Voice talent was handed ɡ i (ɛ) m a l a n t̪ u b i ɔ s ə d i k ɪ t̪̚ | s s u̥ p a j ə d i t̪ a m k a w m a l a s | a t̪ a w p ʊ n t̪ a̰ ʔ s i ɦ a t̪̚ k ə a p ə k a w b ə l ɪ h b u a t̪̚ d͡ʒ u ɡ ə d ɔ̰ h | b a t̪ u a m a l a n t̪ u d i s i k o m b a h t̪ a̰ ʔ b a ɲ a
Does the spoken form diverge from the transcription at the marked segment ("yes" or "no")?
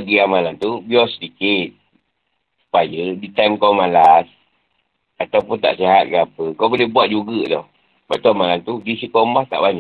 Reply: yes